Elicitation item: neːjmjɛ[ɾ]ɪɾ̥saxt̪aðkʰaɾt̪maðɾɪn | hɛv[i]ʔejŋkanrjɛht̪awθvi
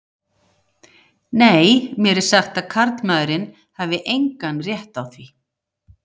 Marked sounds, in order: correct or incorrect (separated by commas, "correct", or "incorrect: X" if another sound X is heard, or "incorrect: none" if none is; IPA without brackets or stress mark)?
correct, incorrect: ɪ